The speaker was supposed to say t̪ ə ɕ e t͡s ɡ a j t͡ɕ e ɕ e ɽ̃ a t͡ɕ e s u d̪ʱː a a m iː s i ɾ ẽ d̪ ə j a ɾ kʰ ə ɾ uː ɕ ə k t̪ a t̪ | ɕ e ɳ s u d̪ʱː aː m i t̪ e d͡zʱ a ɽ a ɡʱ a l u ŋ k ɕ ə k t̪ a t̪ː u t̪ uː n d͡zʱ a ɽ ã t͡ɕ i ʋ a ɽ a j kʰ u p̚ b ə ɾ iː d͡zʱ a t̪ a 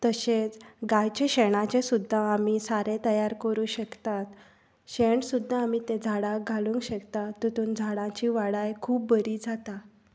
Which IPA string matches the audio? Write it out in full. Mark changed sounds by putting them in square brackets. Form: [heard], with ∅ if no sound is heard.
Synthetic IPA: t̪ ə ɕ e t͡s ɡ a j t͡ɕ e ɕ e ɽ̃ a t͡ɕ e s u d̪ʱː a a m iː s [a] ɾ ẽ [t̪] ə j a ɾ [k] ə ɾ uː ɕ ə k t̪ a t̪ | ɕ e ɳ s u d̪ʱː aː m i t̪ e d͡zʱ a ɽ a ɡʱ a l u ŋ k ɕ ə k t̪ a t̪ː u t̪ uː n d͡zʱ a ɽ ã t͡ɕ i ʋ a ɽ a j kʰ [uː] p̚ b ə ɾ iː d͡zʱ a t̪ a